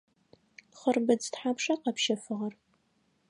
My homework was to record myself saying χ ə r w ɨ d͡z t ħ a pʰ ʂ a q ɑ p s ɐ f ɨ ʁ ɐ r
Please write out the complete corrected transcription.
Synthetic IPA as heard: χ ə r b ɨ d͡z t ħ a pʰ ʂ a q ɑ p ʃ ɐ f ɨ ʁ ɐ r